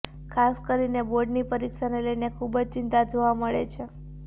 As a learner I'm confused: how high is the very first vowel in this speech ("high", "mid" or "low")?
low